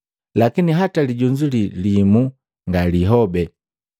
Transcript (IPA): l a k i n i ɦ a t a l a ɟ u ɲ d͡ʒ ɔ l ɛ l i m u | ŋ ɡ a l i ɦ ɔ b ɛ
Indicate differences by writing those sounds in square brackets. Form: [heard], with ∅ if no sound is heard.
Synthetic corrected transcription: l a k i n i ɦ a t a l [i] ɟ u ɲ d͡ʒ [u] l [i] l i m u | ŋ ɡ a l i ɦ ɔ b ɛ